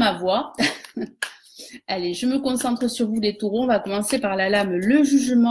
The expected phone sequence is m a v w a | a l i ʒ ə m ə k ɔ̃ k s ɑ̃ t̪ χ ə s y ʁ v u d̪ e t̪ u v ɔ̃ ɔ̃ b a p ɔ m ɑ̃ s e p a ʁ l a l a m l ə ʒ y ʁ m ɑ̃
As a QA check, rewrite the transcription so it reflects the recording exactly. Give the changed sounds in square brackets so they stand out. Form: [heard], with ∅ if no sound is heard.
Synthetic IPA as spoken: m a v w a | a l [e] ʒ ə m ə k ɔ̃ [∅] s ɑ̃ t̪ χ ə s y ʁ v u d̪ e t̪ u [ʁ] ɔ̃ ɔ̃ [v] a [k] ɔ m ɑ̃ s e p a ʁ l a l a m l ə ʒ y [ʒ] m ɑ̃